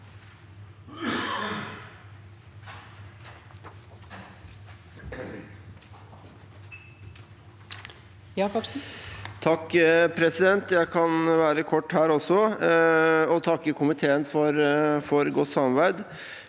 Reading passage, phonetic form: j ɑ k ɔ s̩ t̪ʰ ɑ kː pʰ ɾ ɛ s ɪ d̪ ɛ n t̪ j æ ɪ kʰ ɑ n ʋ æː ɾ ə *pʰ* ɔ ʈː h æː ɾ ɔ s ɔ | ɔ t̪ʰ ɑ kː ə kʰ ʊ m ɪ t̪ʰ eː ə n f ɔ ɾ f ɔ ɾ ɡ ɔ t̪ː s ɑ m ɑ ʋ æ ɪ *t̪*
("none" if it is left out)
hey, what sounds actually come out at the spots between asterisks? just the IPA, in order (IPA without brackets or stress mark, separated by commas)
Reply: kʰ, d̪